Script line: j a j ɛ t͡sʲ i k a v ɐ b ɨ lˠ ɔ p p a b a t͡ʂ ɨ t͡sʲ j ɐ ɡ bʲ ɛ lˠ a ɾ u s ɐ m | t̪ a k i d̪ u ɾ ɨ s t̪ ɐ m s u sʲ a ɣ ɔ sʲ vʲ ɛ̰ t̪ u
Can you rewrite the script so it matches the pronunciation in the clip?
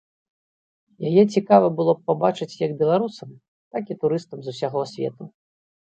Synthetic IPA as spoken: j a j ɛ t͡sʲ i k a v ɐ b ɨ lˠ ɔ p p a b a t͡ʂ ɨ t͡sʲ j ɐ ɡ bʲ ɛ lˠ a ɾ u s ɐ m | t̪ a k i t̪ u ɾ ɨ s t̪ ɐ m z u sʲ a ɣ ɔ sʲ vʲ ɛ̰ t̪ u